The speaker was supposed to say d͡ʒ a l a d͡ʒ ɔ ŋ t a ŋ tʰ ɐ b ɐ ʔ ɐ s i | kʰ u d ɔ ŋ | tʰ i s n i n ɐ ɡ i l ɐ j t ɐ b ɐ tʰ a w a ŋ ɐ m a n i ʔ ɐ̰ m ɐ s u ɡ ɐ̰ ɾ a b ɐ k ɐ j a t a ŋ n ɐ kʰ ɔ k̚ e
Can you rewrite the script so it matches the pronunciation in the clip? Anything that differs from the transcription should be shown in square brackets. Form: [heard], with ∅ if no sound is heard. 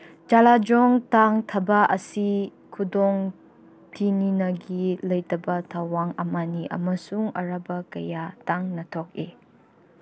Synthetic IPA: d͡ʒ a l a d͡ʒ ɔ ŋ t a ŋ tʰ ɐ b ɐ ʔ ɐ s i | kʰ u d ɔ ŋ | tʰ i [∅] n i n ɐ ɡ i l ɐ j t ɐ b ɐ tʰ a w a ŋ ɐ m a n i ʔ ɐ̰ m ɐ s u [ŋ] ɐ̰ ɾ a b ɐ k ɐ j a t a ŋ n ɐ [tʰ] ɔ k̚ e